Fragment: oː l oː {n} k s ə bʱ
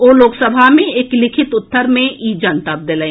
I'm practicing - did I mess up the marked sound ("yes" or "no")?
yes